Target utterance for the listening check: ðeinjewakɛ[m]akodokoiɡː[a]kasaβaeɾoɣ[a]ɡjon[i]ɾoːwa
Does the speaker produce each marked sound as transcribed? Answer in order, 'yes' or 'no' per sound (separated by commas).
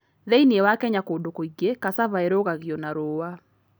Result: no, no, yes, no